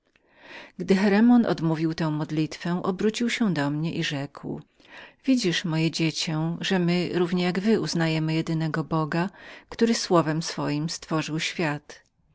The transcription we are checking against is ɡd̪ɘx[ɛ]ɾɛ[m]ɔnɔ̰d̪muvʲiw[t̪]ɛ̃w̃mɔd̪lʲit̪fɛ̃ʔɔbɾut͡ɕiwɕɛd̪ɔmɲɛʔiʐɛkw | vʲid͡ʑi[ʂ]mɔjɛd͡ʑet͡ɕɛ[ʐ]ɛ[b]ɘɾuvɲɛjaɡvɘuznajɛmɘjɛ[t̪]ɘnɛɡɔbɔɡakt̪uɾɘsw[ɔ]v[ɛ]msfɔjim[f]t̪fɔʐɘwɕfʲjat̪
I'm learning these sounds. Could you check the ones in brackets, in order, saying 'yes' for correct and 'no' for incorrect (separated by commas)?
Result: yes, yes, yes, yes, yes, no, no, yes, yes, no